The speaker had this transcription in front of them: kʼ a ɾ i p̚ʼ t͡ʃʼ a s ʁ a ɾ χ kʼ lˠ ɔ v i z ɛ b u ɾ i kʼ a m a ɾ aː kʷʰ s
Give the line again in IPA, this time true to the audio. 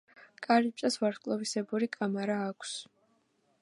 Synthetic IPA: kʼ a ɾ i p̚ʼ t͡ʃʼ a s v a ɾ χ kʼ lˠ ɔ v i s ɛ b u ɾ i kʼ a m a ɾ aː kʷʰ s